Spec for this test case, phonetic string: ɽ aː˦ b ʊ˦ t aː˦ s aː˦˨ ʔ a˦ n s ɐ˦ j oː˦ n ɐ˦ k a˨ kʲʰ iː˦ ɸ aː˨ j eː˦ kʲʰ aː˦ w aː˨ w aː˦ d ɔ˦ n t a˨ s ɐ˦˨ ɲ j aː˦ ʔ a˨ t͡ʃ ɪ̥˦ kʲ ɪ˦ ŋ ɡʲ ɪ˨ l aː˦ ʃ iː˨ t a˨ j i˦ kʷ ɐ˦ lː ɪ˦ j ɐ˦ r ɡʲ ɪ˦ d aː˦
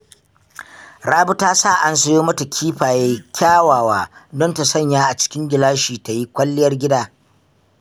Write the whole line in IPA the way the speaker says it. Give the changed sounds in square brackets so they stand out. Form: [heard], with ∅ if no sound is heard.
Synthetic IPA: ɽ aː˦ b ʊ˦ t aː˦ s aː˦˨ ʔ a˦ n s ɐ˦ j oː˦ [m] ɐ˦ [t] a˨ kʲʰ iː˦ ɸ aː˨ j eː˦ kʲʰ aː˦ w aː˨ w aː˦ d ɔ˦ n t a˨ s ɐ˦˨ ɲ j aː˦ ʔ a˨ t͡ʃ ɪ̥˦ kʲ ɪ˦ ŋ ɡʲ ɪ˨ l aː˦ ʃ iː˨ t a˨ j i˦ kʷ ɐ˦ lː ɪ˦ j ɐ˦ r ɡʲ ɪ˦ d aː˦

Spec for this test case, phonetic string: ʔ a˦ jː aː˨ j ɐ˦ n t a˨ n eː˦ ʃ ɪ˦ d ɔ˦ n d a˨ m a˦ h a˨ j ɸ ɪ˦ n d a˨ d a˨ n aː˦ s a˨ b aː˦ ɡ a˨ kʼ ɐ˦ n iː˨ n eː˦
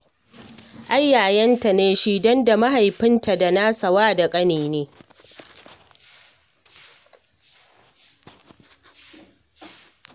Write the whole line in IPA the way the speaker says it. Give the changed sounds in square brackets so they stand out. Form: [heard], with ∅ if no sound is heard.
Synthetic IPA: ʔ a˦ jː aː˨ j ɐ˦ n t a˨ n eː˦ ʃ [i˦] d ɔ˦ n d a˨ m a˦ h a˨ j ɸ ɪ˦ n [t] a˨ d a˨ n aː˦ s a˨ [w] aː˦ [d] a˨ kʼ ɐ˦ n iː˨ n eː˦

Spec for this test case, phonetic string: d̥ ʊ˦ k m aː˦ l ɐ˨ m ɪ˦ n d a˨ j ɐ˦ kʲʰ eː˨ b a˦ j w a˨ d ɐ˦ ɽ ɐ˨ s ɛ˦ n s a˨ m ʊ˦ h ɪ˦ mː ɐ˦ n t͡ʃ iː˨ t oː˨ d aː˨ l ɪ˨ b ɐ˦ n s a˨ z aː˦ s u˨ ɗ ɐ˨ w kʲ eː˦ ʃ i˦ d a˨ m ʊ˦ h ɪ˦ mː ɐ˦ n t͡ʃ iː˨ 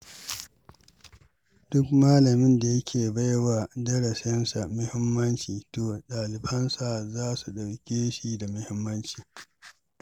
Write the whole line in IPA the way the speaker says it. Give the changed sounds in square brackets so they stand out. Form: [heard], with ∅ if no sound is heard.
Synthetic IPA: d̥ ʊ˦ k m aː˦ l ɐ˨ m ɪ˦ n d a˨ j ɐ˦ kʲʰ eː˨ b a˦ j w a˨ d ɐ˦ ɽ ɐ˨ s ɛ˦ n s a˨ m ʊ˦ h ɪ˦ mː ɐ˦ n t͡ʃ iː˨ t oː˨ [ɗ] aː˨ l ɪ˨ b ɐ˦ n s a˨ z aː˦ s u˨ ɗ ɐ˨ w kʲ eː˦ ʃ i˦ d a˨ m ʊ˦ h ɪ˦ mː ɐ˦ n t͡ʃ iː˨

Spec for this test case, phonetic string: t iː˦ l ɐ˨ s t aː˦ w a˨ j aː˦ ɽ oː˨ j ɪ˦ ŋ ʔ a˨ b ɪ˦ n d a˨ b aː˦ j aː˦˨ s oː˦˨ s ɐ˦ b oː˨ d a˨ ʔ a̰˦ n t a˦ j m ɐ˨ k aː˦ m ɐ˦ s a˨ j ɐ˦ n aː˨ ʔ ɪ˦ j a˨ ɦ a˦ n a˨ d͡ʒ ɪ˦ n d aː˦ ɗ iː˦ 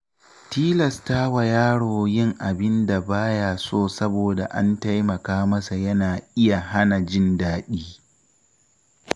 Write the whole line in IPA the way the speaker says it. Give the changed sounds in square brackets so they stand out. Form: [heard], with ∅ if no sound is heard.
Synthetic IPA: t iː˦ l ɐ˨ s t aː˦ w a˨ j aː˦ ɽ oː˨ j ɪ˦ ŋ ʔ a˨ b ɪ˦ n d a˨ b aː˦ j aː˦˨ s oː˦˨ s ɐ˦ b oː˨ d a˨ ʔ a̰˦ n t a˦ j m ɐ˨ k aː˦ m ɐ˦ s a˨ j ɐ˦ n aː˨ ʔ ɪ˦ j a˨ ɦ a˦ n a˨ d͡ʒ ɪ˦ n d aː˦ ɗ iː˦

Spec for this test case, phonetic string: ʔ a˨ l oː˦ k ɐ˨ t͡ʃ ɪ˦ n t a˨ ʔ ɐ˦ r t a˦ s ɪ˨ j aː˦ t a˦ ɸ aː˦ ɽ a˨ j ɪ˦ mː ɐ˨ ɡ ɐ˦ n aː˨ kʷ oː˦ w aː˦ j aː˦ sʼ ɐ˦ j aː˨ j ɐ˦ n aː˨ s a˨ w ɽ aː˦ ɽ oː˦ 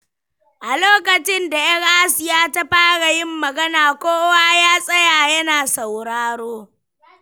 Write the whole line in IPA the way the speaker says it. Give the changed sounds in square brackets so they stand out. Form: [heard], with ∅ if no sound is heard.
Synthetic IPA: ʔ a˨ l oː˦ k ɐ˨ t͡ʃ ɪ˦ n [d] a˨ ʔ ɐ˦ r [ʔ] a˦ s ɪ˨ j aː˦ t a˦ ɸ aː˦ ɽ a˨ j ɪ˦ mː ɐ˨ ɡ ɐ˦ n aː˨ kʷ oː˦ w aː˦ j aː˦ sʼ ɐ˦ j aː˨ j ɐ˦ n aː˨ s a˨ w ɽ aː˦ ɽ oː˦

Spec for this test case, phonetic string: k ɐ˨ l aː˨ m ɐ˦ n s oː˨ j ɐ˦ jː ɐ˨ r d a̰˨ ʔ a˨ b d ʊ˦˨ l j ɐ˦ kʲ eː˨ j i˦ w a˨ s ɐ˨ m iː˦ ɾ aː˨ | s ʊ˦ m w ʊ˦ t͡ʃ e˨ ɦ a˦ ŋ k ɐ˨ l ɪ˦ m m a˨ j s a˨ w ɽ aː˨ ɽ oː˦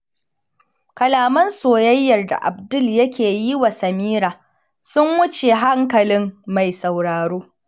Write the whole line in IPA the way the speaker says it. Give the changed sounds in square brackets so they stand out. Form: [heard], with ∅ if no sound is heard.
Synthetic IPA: k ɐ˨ l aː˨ m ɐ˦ n s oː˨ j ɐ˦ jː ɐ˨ r d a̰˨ ʔ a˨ b d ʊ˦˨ l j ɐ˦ kʲ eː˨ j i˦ w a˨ s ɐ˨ m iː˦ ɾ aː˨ | s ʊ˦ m w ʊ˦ t͡ʃ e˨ ɦ a˦ ŋ k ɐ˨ l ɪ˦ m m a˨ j s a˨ w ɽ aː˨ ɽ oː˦

